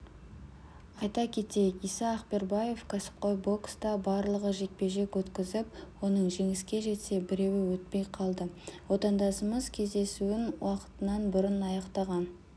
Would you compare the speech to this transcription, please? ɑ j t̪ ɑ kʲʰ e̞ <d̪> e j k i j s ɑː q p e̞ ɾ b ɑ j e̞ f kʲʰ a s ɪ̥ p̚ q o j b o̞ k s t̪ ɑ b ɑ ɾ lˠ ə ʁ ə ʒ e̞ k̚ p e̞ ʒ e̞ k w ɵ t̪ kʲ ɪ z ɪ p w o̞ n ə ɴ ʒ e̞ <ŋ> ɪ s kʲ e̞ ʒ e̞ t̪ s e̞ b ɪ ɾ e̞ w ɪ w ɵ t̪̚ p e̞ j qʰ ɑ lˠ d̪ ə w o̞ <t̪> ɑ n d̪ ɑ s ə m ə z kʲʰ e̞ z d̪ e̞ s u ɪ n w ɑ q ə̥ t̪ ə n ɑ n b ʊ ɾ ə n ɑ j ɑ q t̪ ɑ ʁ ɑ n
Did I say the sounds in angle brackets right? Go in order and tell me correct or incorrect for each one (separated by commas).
incorrect, correct, correct